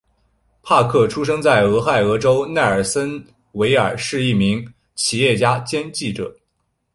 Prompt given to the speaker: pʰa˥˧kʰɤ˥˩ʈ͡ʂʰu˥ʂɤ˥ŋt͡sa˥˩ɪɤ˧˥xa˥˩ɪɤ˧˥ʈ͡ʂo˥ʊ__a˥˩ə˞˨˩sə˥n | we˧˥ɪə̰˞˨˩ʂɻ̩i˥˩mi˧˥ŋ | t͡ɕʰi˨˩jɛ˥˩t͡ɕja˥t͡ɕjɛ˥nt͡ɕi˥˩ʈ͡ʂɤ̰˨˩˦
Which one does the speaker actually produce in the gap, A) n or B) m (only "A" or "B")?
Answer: A